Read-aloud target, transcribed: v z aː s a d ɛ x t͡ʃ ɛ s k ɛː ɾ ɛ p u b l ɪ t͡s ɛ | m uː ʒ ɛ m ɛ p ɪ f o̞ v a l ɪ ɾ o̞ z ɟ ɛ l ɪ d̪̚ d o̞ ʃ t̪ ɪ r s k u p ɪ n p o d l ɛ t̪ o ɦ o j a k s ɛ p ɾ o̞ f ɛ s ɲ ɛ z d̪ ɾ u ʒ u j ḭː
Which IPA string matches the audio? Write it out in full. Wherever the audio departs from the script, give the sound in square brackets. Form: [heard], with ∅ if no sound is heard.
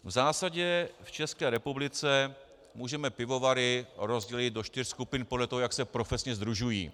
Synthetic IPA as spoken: v z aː s a [ɟ] ɛ [f] t͡ʃ ɛ s k ɛː ɾ ɛ p u b l ɪ t͡s ɛ | m uː ʒ ɛ m ɛ p ɪ [v] o̞ v a [ɾ] ɪ ɾ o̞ z ɟ ɛ l ɪ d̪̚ d o̞ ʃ t̪ ɪ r s k u p ɪ n p o d l ɛ t̪ o ɦ o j a k s ɛ p ɾ o̞ f ɛ s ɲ ɛ z d̪ ɾ u ʒ u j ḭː